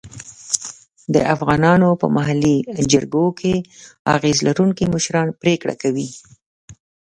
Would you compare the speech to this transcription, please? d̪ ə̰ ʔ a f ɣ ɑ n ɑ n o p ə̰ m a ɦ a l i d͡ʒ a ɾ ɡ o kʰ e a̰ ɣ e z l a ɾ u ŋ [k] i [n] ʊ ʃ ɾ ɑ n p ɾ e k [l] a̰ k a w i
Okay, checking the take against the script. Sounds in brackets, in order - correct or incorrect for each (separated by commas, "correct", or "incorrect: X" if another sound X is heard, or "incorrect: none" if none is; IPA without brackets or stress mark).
correct, incorrect: m, incorrect: ɽ